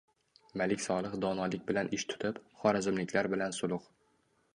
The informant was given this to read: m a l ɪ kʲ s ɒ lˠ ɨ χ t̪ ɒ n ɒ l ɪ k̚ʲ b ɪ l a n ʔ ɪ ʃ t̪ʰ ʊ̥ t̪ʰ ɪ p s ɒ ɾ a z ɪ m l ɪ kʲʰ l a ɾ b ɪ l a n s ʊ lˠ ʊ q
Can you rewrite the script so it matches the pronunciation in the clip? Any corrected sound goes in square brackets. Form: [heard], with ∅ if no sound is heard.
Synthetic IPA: m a l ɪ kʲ s ɒ lˠ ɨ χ [d̪] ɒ n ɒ l ɪ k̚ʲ b ɪ l a n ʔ ɪ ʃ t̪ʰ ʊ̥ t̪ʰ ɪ p [χ] ɒ ɾ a z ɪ m l ɪ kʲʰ l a ɾ b ɪ l a n s ʊ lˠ ʊ q